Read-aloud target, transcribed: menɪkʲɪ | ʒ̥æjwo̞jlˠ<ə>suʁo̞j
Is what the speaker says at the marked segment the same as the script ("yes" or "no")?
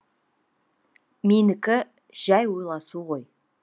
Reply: no